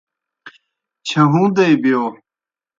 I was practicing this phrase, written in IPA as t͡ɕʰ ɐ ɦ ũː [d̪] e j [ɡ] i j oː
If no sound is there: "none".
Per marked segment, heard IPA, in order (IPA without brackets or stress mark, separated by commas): d̪, b